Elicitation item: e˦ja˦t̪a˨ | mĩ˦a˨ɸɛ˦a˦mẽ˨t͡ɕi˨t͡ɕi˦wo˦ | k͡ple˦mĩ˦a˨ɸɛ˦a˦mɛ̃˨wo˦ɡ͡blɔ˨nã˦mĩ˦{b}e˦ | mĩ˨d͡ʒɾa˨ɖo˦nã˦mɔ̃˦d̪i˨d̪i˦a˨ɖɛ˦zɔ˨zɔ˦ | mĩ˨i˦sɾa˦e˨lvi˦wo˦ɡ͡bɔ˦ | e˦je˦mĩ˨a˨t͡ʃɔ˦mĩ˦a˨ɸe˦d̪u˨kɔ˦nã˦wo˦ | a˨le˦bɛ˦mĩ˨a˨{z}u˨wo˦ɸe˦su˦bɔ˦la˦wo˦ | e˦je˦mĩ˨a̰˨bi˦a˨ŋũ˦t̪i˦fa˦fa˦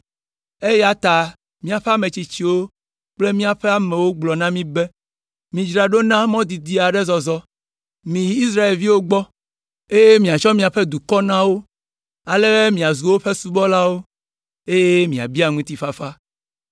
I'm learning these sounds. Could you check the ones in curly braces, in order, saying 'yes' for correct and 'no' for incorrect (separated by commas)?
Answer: yes, yes